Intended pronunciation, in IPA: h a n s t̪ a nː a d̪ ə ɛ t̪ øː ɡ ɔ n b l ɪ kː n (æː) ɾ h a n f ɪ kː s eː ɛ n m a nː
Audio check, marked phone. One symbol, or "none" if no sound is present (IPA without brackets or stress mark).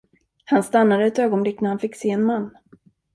æ